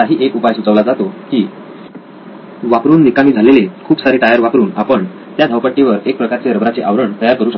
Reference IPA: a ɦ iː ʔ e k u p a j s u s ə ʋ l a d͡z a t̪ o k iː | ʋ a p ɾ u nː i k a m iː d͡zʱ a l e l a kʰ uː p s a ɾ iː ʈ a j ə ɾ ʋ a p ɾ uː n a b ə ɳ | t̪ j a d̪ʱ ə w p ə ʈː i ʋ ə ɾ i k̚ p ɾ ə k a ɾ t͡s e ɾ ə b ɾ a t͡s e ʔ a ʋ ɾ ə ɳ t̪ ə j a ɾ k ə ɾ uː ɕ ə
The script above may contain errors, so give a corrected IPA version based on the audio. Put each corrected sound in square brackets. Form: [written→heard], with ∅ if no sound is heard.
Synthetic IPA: a ɦ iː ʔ e k u p a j s u [s→t͡s] ə ʋ l a d͡z a t̪ o k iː | ʋ a p ɾ [u→uː] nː i k a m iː d͡zʱ a l e l [a→e] kʰ uː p s a ɾ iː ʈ a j ə ɾ ʋ a p ɾ uː n a [b→p] ə ɳ | t̪ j a d̪ʱ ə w p ə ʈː i ʋ ə ɾ [i→e] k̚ p ɾ ə k a ɾ t͡s e ɾ ə b ɾ a t͡s e ʔ a ʋ ɾ ə ɳ t̪ ə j a ɾ k ə ɾ uː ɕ ə